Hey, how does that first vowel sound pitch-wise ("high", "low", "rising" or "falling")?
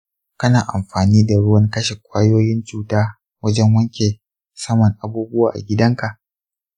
high